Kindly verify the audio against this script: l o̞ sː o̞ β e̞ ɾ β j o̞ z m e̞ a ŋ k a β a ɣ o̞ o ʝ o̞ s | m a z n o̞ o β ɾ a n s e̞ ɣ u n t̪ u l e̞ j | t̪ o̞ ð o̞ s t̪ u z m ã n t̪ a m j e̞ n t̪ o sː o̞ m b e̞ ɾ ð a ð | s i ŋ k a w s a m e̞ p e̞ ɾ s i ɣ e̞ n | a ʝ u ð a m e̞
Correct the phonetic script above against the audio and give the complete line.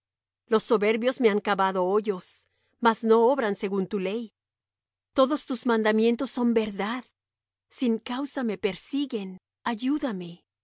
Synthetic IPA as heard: l o̞ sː o̞ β e̞ ɾ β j o̞ z m e̞ a ŋ k a β a ð o̞ o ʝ o̞ s | m a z n o̞ o β ɾ a n s e̞ ɣ u n t̪ u l e̞ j | t̪ o̞ ð o̞ s t̪ u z m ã n d̪ a m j e̞ n t̪ o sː o̞ m b e̞ ɾ ð a ð | s i ŋ k a w s a m e̞ p e̞ ɾ s i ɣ e̞ n | a ʝ u ð a m e̞